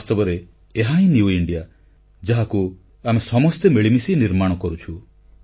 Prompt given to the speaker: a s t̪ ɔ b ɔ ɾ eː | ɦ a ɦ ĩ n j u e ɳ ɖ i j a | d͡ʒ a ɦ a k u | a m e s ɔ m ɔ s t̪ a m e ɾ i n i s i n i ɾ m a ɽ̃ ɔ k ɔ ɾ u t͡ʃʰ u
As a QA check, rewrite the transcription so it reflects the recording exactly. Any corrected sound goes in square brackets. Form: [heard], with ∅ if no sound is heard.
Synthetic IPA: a s t̪ ɔ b ɔ ɾ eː | ɦ a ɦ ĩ n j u [i] ɳ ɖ i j a | d͡ʒ a ɦ a k u | a m e s ɔ m ɔ s t̪ [e] m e [ɭ] i [m] i s i n i ɾ m a ɽ̃ ɔ k ɔ ɾ u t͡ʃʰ u